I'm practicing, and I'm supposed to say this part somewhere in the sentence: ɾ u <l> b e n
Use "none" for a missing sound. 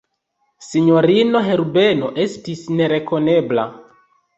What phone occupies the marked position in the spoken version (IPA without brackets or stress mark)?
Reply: none